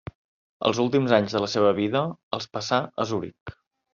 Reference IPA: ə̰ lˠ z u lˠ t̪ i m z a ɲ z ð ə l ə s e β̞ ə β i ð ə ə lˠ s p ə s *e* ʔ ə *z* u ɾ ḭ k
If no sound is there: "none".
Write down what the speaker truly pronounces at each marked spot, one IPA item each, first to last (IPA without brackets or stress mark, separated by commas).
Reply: a, z